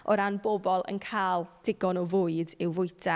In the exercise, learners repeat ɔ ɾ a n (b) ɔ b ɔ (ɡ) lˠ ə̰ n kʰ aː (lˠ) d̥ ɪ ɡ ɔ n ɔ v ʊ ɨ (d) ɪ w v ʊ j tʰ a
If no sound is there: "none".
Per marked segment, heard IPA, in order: b, none, lˠ, d

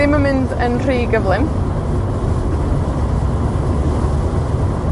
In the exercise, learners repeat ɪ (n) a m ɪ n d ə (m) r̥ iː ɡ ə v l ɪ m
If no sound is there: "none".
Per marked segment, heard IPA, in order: m, n

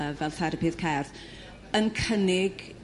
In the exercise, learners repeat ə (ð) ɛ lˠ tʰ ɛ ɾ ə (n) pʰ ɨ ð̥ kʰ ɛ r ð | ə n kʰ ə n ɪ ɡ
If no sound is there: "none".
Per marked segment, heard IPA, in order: v, none

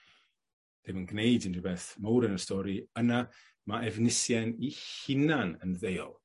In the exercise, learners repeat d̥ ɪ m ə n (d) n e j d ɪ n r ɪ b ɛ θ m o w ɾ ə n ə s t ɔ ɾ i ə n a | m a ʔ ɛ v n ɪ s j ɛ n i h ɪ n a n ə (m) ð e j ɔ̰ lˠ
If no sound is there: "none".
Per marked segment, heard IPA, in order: ɡ, n

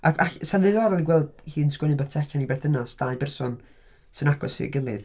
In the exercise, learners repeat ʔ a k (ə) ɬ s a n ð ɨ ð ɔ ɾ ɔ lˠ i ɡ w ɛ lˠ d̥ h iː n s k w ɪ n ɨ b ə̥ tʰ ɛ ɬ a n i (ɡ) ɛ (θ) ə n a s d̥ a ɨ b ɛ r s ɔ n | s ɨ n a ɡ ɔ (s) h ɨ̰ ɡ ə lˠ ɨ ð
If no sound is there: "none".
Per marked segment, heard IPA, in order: a, b, θ, s

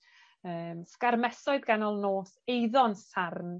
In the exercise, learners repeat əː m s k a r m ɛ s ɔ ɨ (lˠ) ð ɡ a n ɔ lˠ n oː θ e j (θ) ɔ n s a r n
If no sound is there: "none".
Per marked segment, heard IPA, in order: none, ð

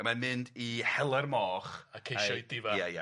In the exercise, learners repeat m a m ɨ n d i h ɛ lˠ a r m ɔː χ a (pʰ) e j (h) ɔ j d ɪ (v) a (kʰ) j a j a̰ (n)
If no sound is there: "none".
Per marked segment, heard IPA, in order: kʰ, ʃ, v, none, none

